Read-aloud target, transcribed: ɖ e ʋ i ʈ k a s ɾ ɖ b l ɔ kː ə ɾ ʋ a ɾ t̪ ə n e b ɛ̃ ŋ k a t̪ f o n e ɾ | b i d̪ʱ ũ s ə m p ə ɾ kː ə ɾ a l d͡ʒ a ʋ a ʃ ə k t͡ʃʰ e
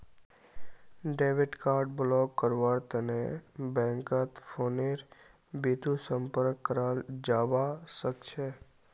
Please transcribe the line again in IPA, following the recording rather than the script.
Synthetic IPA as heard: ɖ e ʋ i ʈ k a ɾ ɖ b l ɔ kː ə ɾ ʋ a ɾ t̪ ə n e b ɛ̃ ŋ k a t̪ f o n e ɾ | b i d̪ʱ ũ s ə m p ə ɾ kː ə ɾ a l d͡ʒ a ʋ a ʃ ə k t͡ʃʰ e